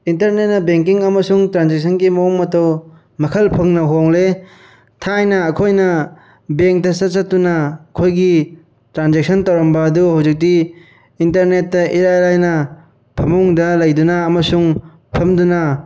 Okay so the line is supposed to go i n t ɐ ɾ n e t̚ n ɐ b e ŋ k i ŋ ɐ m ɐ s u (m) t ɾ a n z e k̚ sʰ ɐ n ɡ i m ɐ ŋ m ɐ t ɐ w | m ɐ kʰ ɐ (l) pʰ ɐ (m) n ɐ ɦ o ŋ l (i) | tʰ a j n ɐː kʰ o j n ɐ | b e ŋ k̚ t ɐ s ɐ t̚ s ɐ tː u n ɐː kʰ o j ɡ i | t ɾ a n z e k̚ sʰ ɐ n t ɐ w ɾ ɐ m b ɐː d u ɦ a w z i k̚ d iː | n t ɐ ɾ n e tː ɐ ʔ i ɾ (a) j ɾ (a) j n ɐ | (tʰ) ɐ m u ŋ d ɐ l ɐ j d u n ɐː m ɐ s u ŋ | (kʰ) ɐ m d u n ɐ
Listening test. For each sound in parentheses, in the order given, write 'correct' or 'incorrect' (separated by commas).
incorrect, correct, incorrect, incorrect, correct, correct, incorrect, incorrect